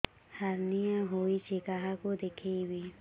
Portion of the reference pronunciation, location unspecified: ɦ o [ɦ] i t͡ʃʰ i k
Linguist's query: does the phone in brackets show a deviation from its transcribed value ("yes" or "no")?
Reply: yes